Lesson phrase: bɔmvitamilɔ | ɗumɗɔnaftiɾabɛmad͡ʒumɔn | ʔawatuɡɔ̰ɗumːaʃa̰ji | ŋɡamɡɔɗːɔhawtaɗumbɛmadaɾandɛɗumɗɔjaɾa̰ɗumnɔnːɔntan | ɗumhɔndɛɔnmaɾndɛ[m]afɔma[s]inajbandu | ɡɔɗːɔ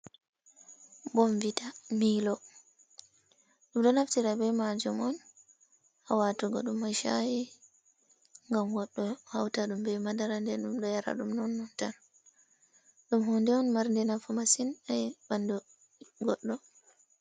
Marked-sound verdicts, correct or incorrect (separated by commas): incorrect, correct